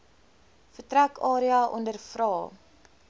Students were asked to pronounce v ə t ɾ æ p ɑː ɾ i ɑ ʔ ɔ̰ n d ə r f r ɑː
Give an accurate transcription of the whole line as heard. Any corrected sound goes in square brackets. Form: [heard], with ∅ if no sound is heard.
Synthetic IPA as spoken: [f] ə t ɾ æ [k] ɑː ɾ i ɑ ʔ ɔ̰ n d ə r f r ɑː